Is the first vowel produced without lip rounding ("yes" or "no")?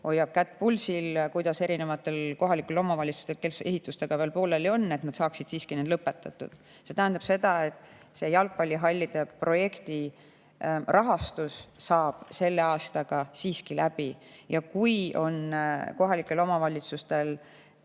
no